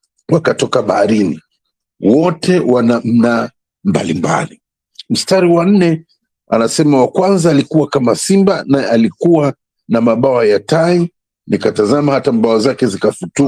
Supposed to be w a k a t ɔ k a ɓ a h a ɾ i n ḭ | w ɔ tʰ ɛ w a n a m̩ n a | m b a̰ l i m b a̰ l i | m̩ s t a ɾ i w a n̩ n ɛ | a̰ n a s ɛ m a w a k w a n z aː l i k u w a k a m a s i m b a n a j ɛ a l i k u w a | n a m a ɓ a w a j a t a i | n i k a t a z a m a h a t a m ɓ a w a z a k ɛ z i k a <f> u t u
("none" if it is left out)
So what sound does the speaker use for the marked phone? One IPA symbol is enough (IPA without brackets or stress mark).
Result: f